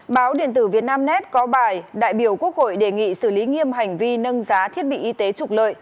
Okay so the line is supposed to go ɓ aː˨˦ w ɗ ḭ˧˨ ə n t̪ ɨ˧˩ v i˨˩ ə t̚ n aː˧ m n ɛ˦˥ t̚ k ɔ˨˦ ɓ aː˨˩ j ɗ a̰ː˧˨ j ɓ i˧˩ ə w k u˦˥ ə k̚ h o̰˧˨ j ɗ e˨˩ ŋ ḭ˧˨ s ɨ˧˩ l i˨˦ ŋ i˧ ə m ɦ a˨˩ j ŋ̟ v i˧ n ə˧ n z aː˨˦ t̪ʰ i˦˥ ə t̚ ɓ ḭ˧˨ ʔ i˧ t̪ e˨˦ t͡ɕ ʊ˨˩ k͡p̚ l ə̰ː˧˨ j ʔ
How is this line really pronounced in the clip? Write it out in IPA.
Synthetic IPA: ɓ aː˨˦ w ɗ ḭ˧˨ ə n t̪ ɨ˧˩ v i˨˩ ə t̚ n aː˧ m n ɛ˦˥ t̚ k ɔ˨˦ ɓ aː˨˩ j ɗ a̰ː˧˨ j ɓ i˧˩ ə w k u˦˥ ə k̚ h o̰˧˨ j ɗ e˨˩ ŋ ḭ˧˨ s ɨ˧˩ l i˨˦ ŋ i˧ ə m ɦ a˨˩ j ŋ̟ v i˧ n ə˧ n z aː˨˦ t̪ʰ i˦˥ ə t̚ ɓ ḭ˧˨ ʔ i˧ t̪ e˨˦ t͡ɕ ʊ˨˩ k͡p̚ l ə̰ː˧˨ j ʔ